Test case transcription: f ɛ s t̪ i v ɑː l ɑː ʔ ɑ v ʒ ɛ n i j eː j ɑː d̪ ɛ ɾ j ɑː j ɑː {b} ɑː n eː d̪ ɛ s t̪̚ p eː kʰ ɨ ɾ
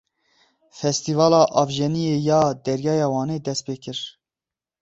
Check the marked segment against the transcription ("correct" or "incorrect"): incorrect